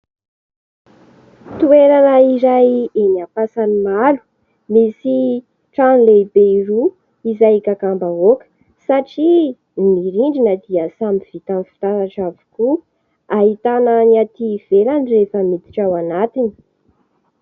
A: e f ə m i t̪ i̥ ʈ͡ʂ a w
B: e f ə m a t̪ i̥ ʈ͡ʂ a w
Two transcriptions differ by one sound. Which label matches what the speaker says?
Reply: A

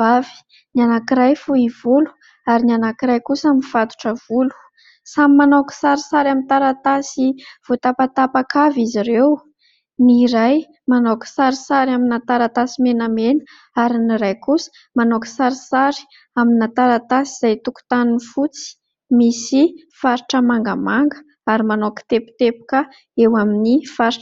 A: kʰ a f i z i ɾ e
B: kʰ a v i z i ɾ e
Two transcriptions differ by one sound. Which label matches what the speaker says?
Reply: B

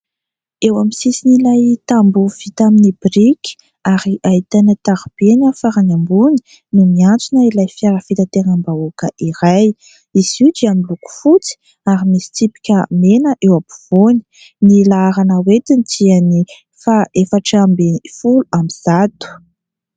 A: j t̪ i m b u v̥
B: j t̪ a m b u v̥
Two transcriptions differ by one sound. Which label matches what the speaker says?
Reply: B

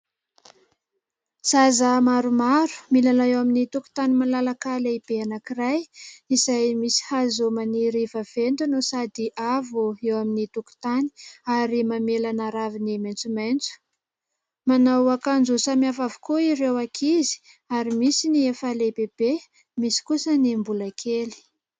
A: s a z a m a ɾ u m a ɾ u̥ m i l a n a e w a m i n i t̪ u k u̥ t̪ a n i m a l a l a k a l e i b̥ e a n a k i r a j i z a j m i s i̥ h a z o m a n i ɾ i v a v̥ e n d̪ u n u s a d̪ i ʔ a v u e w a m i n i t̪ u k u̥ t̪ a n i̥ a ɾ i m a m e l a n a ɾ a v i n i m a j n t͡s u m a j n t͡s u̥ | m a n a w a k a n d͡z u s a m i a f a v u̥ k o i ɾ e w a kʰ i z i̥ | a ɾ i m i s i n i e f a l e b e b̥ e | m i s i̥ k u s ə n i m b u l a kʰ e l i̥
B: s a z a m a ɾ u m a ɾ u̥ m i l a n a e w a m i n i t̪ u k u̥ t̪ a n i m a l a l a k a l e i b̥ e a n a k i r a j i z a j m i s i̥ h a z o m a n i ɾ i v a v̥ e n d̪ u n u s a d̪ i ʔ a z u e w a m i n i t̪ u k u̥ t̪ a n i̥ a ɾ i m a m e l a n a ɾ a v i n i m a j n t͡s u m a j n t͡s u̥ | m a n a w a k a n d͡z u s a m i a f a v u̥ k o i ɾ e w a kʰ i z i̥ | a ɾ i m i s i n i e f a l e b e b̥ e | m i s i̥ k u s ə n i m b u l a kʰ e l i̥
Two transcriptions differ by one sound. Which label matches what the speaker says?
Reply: A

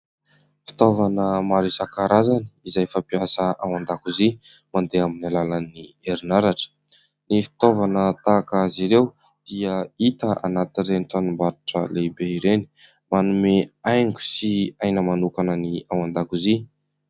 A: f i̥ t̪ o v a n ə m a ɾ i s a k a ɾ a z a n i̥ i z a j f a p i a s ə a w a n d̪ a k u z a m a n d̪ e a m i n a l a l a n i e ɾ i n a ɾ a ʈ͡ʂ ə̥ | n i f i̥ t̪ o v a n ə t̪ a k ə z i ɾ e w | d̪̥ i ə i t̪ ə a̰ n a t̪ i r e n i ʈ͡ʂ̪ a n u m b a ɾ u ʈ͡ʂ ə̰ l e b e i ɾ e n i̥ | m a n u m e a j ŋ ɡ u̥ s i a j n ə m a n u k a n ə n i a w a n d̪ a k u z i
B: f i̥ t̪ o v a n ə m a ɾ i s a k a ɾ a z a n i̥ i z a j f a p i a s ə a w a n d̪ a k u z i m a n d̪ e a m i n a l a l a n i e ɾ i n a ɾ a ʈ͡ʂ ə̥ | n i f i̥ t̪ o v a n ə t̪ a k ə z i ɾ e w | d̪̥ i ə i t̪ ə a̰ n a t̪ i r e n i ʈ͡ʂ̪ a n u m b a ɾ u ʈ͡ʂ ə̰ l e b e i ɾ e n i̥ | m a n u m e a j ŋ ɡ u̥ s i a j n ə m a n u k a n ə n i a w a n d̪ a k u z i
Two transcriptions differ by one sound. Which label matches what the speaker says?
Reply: B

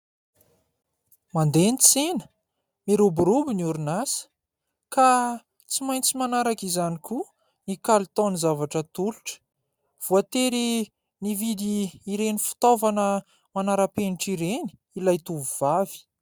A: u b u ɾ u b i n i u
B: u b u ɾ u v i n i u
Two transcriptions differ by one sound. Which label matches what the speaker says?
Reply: A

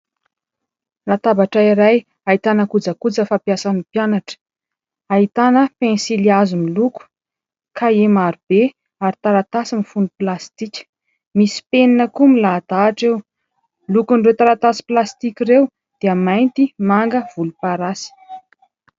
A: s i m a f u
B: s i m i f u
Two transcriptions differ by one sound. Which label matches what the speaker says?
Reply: B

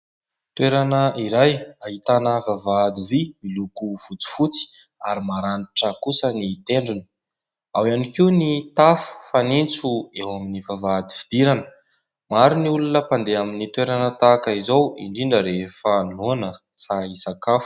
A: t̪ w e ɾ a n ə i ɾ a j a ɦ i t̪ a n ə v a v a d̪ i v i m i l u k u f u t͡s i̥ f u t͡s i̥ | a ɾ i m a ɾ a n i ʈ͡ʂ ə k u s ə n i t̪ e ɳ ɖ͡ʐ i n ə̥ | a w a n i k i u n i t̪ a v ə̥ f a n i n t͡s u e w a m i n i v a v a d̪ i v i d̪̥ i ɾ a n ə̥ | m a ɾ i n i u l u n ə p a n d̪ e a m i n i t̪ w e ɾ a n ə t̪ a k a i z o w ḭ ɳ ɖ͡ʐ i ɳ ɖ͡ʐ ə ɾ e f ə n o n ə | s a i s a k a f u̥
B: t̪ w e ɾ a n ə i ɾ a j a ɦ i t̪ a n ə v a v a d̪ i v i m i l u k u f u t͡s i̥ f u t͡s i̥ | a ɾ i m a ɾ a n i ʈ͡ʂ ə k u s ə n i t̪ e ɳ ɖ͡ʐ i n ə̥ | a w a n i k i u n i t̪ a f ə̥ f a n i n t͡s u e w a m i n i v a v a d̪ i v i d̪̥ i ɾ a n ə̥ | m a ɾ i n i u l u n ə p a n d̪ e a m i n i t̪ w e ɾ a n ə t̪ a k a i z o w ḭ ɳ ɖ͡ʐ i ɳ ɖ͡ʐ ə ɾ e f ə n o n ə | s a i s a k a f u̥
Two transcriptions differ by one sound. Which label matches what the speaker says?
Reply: B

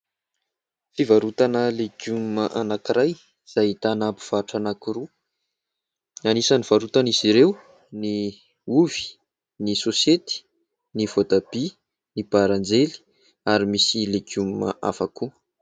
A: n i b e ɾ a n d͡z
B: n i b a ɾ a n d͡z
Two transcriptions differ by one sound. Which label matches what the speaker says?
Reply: B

